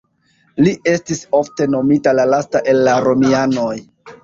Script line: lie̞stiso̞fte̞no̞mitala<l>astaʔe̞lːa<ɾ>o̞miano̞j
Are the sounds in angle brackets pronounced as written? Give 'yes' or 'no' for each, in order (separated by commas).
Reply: yes, yes